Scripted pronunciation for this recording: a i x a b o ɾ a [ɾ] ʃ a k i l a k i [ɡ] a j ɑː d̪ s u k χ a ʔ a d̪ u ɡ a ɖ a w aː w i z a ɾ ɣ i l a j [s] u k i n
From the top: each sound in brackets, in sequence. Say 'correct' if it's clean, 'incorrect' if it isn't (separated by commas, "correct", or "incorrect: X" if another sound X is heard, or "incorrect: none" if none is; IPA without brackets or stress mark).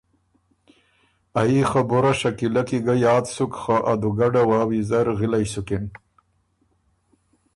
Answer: incorrect: none, correct, correct